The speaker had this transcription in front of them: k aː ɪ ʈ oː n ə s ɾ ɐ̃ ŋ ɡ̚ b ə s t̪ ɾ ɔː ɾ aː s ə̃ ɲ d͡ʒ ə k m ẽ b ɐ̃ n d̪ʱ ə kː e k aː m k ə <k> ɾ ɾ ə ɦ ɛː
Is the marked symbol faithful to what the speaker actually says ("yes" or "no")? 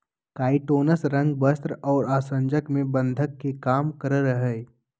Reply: no